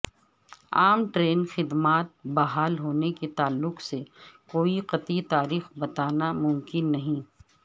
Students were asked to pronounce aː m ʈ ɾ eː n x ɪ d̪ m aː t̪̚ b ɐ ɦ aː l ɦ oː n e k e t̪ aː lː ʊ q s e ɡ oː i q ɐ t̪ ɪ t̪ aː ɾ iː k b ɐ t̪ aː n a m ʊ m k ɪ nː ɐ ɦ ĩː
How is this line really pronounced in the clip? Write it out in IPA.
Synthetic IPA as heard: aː m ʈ ɾ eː n x ɪ d̪ m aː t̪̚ b ɐ ɦ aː l ɦ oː n e k e t̪ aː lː ʊ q s e k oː i q ɐ t̪ i t̪ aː ɾ iː x b ɐ t̪ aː n a m ʊ m k ɪ nː ɐ ɦ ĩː